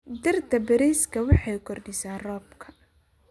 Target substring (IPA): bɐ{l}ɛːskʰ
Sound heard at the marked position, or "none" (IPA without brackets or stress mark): ɾ